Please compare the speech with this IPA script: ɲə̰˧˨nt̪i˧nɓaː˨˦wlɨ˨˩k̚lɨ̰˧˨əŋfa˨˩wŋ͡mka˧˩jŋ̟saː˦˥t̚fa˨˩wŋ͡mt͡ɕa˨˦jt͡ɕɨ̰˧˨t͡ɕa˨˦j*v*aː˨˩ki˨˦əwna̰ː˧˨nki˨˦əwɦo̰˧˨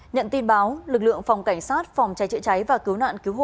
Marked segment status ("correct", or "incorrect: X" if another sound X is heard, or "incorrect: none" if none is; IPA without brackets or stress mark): correct